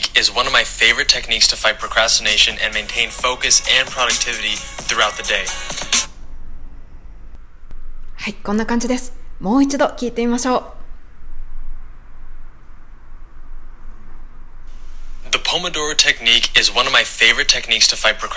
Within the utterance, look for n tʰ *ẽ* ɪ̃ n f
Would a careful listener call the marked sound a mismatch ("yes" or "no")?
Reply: no